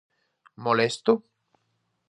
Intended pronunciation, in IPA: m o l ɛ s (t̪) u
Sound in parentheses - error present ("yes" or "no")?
no